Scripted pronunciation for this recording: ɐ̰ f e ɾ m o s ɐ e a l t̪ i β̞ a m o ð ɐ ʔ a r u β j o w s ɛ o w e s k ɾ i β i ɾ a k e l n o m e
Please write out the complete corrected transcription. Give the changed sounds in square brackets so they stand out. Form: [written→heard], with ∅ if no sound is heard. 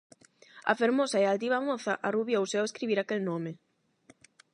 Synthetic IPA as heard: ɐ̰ f e ɾ m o s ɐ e a l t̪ i β̞ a m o [ð→θ] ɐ ʔ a r u β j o w s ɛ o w e s k ɾ i β i ɾ a k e l n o m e